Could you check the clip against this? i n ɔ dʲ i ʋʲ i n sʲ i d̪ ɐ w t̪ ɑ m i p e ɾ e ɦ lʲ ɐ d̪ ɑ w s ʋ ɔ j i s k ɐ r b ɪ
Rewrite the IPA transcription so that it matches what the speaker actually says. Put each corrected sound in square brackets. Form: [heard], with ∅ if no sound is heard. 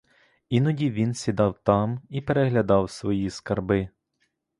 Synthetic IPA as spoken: i n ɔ dʲ i ʋʲ i n sʲ i d̪ [ɑ] w t̪ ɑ m i p e ɾ e ɦ lʲ ɐ d̪ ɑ w s ʋ ɔ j i s k ɐ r b ɪ